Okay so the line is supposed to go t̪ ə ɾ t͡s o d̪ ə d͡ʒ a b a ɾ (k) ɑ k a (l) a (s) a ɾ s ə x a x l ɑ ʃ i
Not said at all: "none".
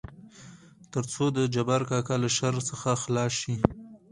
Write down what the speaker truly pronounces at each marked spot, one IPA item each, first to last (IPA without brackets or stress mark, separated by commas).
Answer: k, l, ʃ